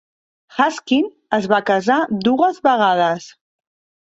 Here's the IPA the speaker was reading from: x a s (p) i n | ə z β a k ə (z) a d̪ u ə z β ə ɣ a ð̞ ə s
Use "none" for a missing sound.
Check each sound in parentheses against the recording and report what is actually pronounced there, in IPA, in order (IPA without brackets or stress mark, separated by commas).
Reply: k, z